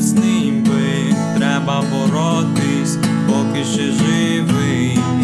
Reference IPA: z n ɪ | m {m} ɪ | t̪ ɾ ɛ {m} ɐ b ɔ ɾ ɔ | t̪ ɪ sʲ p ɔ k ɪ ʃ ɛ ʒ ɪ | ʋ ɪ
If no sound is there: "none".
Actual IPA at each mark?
b, b

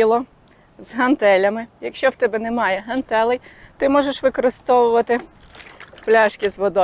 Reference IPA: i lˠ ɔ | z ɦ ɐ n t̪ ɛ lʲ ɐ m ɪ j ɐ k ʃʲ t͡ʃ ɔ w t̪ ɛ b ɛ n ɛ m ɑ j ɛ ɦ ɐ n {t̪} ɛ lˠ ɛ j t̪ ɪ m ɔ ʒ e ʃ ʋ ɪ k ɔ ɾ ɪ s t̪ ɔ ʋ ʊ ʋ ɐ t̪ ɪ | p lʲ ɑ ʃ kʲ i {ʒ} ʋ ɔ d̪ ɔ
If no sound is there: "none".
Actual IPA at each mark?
t̪, z

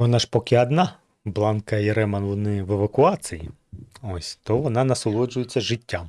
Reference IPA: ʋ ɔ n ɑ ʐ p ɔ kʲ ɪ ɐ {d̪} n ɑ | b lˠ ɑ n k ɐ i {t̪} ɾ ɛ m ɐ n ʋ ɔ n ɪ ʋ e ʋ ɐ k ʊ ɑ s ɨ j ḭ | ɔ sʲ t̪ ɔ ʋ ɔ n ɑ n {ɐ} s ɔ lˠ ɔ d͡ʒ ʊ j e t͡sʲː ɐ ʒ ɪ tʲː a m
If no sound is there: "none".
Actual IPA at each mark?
d̪, none, ɐ

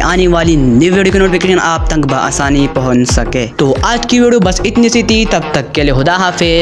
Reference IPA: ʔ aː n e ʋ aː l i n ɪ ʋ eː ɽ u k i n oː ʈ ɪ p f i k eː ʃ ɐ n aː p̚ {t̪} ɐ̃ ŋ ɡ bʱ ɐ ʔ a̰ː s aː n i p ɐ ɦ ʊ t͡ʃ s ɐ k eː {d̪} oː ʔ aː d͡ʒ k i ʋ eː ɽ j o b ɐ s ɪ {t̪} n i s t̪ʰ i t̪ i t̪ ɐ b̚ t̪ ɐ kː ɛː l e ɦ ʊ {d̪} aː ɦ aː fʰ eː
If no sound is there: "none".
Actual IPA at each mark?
t̪, t̪, t̪, d̪

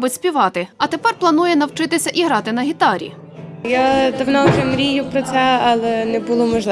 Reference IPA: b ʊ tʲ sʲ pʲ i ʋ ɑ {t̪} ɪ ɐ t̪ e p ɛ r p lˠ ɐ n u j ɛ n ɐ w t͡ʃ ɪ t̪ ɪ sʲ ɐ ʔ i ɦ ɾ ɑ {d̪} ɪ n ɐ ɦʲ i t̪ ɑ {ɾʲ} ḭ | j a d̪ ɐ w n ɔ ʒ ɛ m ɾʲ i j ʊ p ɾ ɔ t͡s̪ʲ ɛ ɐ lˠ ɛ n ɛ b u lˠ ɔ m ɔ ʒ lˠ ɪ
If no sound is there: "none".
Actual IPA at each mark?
t̪, t̪, ɾʲ

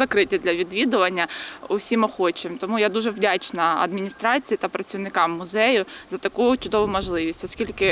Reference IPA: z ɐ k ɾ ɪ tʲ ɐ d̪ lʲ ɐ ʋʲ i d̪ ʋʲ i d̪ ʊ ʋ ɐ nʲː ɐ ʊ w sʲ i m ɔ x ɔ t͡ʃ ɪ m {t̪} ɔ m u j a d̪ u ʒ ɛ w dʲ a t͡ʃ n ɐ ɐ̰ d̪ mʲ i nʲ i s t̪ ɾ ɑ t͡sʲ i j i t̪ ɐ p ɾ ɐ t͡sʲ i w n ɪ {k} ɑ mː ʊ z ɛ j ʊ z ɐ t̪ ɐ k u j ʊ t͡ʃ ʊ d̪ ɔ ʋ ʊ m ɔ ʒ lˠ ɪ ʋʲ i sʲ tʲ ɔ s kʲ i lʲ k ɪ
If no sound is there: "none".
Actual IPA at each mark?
t̪, k

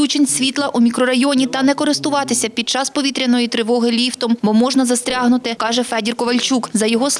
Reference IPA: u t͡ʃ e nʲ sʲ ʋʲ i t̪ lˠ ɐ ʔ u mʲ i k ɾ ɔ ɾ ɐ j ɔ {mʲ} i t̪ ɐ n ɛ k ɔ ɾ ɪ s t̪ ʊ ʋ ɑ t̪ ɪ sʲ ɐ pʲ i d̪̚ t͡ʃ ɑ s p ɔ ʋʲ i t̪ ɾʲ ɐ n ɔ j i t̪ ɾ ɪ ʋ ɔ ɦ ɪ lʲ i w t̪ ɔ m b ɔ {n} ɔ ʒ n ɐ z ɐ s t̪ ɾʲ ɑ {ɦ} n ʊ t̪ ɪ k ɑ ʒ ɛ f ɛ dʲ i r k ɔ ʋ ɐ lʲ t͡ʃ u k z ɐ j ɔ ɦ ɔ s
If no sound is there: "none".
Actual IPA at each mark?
nʲ, m, ɦ

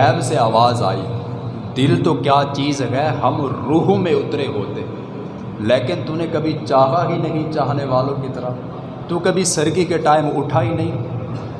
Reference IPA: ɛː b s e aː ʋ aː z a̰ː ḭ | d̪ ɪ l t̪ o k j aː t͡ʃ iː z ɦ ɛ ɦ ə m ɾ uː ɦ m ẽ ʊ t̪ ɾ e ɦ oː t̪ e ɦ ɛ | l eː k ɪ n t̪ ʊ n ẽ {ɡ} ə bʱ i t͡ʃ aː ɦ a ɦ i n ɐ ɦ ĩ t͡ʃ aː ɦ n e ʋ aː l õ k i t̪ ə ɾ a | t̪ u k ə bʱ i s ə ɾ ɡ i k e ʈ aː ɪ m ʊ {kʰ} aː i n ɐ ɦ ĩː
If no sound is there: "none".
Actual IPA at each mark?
k, ʈʰ

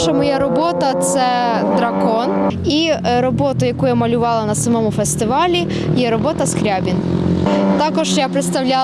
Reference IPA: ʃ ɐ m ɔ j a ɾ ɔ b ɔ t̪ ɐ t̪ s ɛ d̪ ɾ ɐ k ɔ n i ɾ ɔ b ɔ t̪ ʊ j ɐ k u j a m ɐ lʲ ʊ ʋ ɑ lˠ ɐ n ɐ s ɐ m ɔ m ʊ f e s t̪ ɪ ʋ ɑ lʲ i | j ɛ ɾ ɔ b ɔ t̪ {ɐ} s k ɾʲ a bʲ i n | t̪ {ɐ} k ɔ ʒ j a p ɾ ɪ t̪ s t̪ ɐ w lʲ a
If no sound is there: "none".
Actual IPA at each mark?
ɐ, ɑ

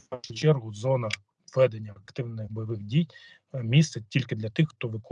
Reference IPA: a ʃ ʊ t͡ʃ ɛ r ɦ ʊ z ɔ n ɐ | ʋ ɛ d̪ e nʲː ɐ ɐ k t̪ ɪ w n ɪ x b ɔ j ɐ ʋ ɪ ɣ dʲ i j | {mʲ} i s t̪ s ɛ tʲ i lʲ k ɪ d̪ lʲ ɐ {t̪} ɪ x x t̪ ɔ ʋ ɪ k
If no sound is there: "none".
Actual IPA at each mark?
mʲ, t̪

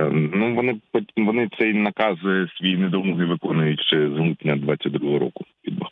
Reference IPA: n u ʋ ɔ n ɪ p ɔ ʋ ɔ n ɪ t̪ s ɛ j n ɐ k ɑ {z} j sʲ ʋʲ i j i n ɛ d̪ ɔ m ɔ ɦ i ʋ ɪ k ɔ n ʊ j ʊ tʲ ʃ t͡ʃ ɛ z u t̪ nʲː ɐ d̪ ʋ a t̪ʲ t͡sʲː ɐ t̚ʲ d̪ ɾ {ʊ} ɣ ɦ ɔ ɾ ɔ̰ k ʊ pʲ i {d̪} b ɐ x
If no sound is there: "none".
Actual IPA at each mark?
z, u, d̪

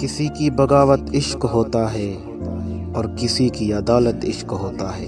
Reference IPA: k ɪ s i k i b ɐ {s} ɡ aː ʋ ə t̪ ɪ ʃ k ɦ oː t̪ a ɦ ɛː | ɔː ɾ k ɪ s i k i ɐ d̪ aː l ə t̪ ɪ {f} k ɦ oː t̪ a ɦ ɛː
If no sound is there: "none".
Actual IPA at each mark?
none, ʃ

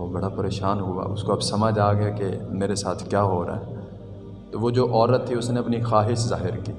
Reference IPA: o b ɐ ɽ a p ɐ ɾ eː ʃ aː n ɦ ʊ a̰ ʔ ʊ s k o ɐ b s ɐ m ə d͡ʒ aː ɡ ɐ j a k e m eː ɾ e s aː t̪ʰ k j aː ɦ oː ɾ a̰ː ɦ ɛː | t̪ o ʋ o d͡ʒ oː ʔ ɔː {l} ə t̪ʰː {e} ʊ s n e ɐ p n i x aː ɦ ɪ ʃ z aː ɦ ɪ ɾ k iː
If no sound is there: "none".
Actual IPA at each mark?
ɾ, i

